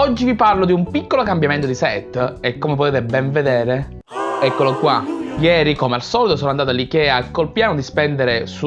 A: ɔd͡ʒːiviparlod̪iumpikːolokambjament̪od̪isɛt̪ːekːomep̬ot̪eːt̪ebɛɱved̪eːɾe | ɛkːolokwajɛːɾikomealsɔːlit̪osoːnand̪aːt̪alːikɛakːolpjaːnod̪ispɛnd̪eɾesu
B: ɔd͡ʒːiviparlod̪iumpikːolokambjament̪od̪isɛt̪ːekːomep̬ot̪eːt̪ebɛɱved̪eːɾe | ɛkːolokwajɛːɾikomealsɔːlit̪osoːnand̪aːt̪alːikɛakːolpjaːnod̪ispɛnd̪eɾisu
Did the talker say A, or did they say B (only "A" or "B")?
A